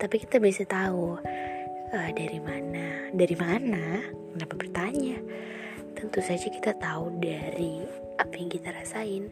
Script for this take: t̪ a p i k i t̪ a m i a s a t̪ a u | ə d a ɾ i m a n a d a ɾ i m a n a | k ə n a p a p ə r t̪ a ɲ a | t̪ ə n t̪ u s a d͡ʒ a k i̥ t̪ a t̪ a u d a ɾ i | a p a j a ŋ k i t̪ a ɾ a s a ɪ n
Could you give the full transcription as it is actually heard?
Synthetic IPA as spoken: t̪ a p i k i t̪ a b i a s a t̪ a u | ə d a ɾ i m a n a d a ɾ i m a n a | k ə n a p a p ə r t̪ a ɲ a | t̪ ə n t̪ u s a d͡ʒ a k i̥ t̪ a t̪ a u d a ɾ i | a p a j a ŋ k i t̪ a ɾ a s a ɪ n